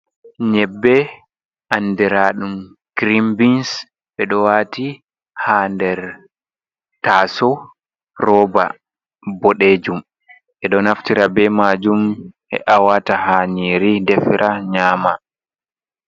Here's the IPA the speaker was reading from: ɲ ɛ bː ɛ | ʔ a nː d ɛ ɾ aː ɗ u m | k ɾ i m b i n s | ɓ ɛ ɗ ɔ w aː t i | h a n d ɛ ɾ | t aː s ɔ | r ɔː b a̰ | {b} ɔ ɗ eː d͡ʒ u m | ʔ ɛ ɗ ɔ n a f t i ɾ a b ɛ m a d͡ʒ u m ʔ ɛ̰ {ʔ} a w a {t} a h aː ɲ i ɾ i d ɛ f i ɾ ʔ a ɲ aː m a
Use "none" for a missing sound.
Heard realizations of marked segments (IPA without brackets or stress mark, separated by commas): b, ʔ, t